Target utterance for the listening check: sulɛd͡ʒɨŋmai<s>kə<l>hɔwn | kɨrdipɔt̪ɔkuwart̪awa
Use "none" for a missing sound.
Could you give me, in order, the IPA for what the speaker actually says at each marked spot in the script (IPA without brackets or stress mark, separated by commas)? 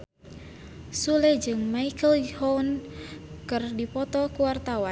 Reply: none, l